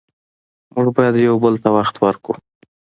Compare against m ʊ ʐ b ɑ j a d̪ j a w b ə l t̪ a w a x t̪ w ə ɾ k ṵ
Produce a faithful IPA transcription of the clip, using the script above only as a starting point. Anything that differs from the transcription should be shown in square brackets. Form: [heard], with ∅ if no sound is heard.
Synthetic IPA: m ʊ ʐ b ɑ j a d̪ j a w b ə l t̪ a w a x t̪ w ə ɾ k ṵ